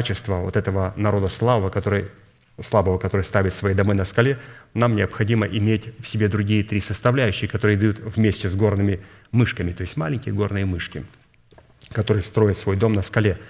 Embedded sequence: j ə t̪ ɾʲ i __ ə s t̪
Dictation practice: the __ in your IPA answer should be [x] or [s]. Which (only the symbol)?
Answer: s